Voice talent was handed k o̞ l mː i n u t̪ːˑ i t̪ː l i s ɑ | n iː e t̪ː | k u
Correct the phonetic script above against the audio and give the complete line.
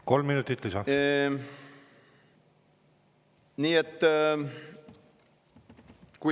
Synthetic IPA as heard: k o̞ l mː i n u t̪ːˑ i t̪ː l i s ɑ | n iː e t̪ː | k u